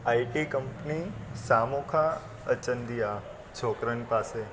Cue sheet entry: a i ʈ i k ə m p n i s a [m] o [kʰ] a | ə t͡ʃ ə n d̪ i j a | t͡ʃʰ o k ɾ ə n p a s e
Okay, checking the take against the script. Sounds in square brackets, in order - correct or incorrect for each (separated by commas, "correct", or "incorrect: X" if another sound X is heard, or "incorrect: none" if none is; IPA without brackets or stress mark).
correct, correct